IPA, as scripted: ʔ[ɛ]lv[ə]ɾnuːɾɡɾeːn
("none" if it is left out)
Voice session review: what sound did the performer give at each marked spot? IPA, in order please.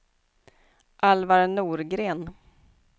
a, a

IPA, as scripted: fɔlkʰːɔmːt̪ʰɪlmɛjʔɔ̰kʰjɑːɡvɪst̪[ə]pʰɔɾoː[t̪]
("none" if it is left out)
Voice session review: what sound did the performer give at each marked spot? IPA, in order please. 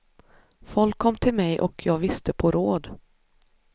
ə, d̪

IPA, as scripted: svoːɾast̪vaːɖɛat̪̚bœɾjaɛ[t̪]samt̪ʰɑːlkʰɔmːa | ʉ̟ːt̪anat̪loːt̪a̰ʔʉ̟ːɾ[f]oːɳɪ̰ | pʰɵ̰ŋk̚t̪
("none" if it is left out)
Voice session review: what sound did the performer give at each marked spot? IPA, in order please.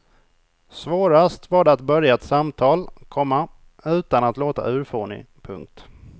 t̪, f

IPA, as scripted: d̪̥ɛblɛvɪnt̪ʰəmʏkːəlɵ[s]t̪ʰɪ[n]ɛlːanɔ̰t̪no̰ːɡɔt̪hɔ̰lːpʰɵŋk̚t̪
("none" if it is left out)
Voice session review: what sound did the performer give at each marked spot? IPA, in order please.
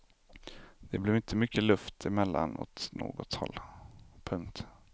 f, m

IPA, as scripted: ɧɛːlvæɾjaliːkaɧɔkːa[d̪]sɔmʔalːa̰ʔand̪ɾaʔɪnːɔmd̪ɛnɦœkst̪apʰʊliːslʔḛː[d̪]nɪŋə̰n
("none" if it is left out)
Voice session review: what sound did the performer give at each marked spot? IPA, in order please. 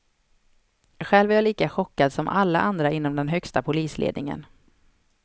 d̪, d̪

